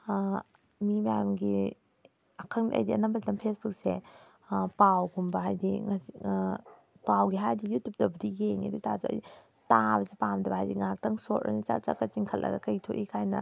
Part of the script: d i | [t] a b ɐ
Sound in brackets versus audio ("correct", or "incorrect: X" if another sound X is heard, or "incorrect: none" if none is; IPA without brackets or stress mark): correct